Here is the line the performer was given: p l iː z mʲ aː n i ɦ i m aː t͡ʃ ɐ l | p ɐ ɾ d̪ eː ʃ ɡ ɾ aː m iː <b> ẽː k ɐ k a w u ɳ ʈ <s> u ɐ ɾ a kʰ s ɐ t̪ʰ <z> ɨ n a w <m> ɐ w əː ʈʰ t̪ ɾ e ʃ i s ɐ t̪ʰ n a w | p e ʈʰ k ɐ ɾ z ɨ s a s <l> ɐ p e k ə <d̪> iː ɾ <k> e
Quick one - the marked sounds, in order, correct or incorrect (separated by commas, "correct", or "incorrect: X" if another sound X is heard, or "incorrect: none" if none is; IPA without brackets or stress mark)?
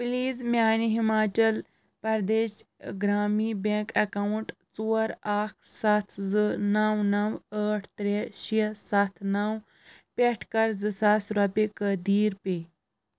correct, incorrect: t͡s, correct, incorrect: n, incorrect: ɾ, correct, incorrect: p